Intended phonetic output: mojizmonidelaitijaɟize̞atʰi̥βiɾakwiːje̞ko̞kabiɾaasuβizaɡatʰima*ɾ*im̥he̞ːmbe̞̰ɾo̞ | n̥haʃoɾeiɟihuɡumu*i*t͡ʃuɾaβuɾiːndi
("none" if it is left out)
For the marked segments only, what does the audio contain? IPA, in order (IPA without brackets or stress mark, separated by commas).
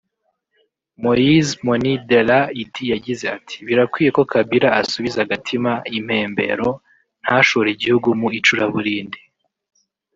none, i